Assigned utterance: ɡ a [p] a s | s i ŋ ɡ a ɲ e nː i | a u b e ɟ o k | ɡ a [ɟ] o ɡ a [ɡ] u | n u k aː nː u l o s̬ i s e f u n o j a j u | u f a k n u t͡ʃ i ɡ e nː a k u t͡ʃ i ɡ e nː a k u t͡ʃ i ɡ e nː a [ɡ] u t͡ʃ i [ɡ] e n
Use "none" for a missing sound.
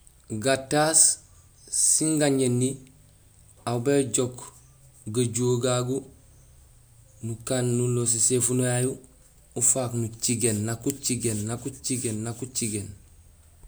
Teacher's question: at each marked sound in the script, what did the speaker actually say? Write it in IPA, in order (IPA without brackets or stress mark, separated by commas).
t, ɟ, ɡ, k, ɡ